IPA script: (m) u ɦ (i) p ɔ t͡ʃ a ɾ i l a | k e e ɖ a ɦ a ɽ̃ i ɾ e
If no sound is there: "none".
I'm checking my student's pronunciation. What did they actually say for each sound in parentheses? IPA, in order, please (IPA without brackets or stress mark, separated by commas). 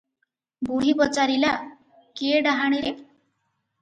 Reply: b, i